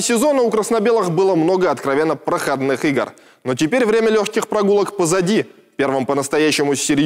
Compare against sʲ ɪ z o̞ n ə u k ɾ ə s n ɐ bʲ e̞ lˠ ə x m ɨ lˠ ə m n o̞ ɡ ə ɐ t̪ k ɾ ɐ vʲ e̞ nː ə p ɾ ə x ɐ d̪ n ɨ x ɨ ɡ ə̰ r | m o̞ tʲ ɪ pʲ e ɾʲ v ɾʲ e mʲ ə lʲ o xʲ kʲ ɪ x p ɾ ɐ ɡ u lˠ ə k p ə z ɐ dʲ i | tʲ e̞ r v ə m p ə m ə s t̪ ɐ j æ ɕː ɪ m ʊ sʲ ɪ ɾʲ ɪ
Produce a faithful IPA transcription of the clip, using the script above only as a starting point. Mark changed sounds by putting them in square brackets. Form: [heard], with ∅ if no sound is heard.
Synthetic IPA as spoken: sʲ ɪ z o̞ n ə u k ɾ ə s n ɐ bʲ e̞ lˠ ə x [b] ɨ lˠ ə m n o̞ ɡ ə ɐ t̪ k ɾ ɐ vʲ e̞ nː ə p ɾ ə x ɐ d̪ n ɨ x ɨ ɡ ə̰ r | [n] o̞ tʲ ɪ pʲ e ɾʲ v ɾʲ e mʲ ə lʲ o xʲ kʲ ɪ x p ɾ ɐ ɡ u lˠ ə k p ə z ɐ dʲ i | [pʲ] e̞ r v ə m p ə [n] ə s t̪ ɐ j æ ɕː ɪ m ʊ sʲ ɪ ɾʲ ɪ